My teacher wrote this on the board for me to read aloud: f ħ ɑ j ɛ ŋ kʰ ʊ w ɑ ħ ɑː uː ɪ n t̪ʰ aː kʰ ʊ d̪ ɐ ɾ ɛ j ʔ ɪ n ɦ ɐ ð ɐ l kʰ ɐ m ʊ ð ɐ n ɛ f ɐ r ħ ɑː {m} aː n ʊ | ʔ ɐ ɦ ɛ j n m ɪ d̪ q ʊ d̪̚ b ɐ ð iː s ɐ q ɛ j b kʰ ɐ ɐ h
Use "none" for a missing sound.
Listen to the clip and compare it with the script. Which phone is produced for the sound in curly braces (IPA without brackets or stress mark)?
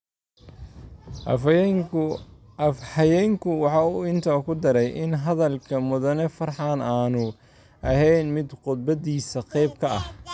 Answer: n